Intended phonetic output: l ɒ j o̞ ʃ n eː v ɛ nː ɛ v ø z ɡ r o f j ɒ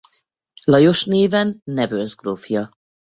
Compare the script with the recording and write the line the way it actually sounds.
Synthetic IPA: l ɒ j o̞ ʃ n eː v ɛ nː ɛ v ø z ɡ r o f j ɒ